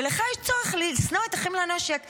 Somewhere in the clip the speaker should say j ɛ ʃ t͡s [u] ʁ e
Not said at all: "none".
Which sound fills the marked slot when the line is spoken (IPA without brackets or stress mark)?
o